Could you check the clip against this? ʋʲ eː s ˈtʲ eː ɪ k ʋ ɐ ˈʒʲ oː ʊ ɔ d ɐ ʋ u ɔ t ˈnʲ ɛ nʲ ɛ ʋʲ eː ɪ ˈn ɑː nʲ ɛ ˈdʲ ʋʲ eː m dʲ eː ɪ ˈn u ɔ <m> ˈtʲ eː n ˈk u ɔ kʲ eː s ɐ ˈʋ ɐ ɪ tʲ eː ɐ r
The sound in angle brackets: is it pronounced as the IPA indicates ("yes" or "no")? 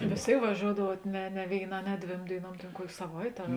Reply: yes